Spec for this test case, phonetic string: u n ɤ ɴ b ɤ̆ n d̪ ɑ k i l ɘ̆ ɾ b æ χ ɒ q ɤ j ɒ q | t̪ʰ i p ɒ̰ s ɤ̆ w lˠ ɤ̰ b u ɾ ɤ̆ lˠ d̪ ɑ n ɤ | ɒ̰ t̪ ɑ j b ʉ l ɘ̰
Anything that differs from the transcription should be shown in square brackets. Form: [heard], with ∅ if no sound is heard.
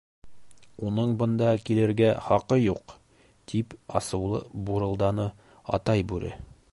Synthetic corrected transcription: u n ɤ ɴ b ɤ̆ n d̪ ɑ k i l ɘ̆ ɾ [ɡ] æ χ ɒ q ɤ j [u] q | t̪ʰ i p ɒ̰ s ɤ̆ w lˠ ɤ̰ b u ɾ ɤ̆ lˠ d̪ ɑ n ɤ | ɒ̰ t̪ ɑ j b ʉ [ɾ] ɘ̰